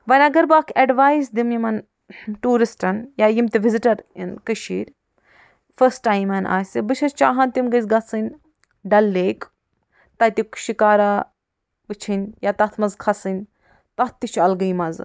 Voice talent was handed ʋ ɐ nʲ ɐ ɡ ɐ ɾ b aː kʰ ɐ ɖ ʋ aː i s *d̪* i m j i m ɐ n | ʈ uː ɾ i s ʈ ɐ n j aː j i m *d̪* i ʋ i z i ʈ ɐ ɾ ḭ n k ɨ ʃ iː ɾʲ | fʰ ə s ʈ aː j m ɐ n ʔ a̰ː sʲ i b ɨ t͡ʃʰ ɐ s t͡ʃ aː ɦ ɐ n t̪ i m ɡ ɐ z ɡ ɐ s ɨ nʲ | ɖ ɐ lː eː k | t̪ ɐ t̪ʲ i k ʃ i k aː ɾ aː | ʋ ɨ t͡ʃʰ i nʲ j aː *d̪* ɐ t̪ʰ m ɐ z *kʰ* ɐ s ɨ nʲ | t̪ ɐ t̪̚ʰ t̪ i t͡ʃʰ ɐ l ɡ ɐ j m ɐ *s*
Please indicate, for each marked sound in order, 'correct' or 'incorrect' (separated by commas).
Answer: correct, incorrect, incorrect, correct, incorrect